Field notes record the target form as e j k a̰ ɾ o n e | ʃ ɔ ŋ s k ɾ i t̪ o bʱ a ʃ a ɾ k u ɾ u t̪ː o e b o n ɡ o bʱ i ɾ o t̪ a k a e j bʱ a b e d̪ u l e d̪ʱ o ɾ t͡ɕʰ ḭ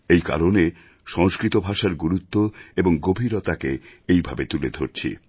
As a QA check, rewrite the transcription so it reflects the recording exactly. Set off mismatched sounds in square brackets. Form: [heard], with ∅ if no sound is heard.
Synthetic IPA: e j k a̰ ɾ o n e | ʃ ɔ ŋ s k ɾ i t̪ o bʱ a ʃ a ɾ [ɡ] u ɾ u t̪ː o e b o [ŋ] ɡ o bʱ i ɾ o t̪ a k [e] e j bʱ a b e [t̪] u l e d̪ʱ o ɾ t͡ɕʰ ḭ